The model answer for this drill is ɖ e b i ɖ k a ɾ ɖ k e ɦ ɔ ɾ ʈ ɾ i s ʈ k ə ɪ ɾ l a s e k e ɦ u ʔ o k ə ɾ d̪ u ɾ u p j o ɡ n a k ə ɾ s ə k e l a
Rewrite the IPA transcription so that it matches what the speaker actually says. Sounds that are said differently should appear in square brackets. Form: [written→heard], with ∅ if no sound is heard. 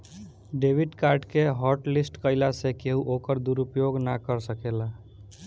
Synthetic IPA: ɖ e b i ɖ k a ɾ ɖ k e ɦ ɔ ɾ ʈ [ɾ→l] i s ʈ k ə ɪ [ɾ→∅] l a s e k e ɦ u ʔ o k ə ɾ d̪ u ɾ u p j o ɡ n a k ə ɾ s ə k e l a